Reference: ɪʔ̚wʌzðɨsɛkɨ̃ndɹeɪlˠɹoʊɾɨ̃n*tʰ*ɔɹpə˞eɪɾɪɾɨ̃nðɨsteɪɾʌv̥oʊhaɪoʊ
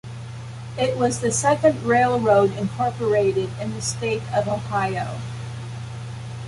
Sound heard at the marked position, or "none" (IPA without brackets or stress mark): kʰ